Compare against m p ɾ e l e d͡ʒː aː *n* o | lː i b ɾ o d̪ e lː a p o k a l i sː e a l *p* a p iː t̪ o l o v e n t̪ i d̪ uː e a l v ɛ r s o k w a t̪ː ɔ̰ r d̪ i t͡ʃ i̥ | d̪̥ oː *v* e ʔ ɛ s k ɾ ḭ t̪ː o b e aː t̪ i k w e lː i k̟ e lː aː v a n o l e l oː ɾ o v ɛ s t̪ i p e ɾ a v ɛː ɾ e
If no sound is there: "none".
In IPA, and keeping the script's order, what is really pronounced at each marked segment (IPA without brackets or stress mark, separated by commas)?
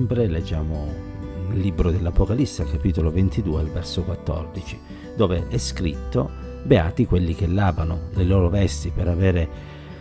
m, k, v